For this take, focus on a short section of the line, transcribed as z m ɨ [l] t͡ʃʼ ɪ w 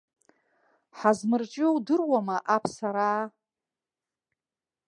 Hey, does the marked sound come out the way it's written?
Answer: no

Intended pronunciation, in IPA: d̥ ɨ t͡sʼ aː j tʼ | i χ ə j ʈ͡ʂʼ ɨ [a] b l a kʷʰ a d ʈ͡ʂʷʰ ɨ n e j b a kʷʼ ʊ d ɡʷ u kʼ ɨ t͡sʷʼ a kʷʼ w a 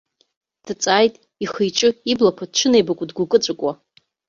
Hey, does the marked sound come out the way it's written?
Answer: no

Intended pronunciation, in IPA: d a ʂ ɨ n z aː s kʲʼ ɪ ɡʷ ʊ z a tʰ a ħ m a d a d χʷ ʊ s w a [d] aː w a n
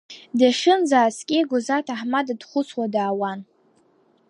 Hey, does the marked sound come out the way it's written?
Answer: yes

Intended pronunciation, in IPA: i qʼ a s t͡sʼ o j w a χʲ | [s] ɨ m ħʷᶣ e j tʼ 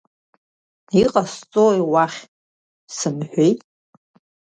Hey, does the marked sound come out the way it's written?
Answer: yes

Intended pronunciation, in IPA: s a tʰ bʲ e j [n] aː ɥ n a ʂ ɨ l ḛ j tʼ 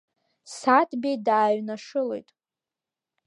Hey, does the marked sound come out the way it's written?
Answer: no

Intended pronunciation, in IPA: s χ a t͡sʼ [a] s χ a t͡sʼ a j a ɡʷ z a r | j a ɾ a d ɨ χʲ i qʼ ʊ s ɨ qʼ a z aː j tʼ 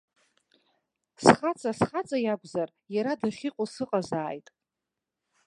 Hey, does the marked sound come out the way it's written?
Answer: yes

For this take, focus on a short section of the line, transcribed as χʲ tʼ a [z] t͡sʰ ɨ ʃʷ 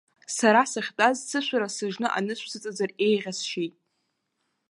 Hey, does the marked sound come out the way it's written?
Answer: yes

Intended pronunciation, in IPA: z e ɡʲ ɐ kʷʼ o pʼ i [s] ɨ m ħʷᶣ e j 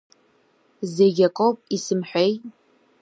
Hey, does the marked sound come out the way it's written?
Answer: yes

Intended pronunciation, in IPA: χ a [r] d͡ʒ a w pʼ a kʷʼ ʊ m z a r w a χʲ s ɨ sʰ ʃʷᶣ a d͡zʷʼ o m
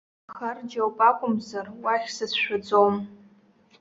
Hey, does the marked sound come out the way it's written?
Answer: yes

